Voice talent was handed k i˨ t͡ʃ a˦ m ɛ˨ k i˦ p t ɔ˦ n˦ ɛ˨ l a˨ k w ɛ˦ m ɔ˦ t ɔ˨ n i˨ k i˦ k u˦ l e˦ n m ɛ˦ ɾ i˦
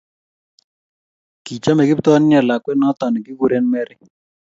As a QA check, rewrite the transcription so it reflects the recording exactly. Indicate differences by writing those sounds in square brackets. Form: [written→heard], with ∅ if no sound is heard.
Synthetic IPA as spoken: k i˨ t͡ʃ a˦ m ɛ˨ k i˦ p t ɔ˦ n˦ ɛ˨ l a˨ k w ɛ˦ [m→n] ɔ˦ t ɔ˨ n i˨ k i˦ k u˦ [l→ɾ] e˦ n m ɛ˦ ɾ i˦